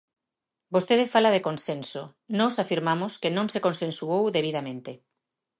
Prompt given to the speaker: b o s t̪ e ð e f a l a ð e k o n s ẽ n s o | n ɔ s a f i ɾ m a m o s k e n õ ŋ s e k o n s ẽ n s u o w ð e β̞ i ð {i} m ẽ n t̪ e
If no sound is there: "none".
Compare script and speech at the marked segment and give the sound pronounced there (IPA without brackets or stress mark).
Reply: a